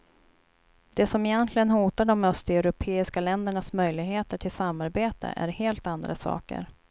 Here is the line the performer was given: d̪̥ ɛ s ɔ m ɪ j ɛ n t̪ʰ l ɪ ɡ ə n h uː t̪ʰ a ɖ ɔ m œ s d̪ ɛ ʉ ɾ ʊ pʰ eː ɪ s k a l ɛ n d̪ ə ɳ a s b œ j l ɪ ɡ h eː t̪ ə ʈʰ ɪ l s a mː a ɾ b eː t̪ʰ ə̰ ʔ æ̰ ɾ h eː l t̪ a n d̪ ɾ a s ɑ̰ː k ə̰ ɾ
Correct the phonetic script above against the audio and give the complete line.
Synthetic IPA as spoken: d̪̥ ɛ s ɔ m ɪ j ɛ n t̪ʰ l ɪ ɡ ə n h uː t̪ a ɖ ɔ m œ s t̪ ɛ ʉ ɾ ʊ pʰ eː ɪ s k a l ɛ n d̪ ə ɳ a s m œ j l ɪ ɡ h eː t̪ ə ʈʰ ɪ l s a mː a ɾ b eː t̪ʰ ə̰ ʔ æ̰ ɾ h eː l t̪ a n d̪ ɾ a s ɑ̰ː k ə̰ ɾ